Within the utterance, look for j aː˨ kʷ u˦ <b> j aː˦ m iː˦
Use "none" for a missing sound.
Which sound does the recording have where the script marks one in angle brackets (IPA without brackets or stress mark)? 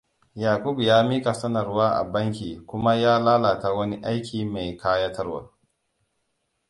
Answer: b